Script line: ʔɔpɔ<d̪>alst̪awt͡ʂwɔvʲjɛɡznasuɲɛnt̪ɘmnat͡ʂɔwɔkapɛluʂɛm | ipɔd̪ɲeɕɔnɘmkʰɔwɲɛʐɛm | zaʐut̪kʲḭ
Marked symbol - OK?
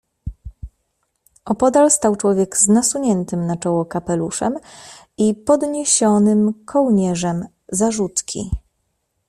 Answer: yes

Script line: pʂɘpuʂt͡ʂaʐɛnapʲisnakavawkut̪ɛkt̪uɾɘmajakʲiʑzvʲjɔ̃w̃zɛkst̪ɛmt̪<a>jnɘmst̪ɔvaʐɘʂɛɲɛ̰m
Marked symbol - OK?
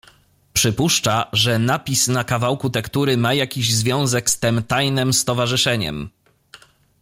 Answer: yes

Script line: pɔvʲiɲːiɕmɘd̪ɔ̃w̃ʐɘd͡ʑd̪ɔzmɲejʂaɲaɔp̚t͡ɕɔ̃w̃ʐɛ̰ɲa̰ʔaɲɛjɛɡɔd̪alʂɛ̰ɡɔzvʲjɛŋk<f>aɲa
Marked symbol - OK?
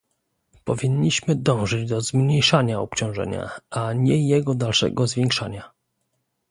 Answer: no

